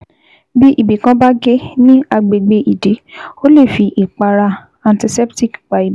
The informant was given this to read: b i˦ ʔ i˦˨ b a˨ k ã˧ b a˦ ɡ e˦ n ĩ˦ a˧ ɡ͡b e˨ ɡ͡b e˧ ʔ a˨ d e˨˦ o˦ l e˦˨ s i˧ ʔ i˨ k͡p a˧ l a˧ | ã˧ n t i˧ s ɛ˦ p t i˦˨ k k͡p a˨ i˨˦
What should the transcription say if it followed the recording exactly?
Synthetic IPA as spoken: b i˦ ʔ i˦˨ b i˨ k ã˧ b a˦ ɡ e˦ n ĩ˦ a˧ ɡ͡b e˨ ɡ͡b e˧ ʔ i˨ d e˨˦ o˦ l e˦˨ f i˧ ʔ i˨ k͡p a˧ ɾ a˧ | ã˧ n t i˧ s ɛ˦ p t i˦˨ k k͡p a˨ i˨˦